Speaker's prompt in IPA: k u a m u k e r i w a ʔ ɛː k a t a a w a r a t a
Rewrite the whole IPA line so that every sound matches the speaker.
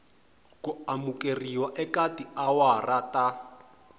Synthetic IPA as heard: k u a m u k e r i w a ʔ ɛ k a t i a w a r a t a